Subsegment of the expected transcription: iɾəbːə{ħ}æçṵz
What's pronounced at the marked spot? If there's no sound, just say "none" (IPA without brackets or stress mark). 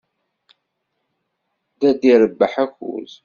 ħ